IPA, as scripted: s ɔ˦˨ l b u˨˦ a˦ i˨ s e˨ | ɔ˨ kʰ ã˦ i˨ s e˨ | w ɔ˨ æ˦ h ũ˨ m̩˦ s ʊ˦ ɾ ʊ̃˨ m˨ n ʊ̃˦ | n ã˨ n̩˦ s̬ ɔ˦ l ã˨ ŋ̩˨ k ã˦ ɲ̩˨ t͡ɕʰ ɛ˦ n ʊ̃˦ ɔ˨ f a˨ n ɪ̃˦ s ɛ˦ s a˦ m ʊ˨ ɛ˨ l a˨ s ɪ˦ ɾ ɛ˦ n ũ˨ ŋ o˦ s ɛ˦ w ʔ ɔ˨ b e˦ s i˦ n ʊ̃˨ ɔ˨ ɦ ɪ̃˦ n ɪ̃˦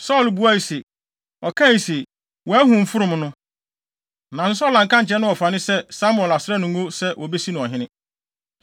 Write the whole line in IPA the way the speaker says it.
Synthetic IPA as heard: s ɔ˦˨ l b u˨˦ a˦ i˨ s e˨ | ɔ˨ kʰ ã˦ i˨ s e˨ | w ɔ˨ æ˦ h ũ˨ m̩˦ f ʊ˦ ɾ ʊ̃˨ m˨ n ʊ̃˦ | n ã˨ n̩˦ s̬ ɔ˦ l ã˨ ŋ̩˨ k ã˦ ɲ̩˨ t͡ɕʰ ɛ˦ n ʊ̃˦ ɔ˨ f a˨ n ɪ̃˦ s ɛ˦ s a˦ m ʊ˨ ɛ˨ l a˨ s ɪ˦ ɾ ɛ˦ n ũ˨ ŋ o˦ s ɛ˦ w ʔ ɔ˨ b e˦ s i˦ n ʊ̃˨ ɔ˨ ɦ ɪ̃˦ n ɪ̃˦